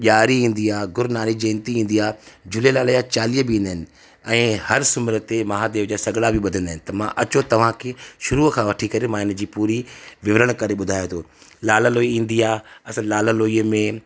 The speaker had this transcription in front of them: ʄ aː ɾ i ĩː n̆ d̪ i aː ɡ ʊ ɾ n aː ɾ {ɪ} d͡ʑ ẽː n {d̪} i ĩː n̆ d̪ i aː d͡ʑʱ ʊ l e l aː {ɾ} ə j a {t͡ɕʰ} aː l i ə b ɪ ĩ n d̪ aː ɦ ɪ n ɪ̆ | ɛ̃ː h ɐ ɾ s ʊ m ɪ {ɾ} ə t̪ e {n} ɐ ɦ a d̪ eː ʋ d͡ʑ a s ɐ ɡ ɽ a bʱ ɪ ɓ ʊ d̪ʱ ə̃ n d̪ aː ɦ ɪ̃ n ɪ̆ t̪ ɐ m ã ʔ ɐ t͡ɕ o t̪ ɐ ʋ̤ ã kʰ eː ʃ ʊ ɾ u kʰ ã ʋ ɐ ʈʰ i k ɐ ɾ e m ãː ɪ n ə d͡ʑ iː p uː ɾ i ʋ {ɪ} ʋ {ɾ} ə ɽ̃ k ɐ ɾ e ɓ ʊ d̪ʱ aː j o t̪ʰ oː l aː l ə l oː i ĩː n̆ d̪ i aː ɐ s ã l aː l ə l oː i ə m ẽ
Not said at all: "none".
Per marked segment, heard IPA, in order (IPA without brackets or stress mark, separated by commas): i, t̪, l, t͡ɕ, ɾ, m, ɪ, ɾ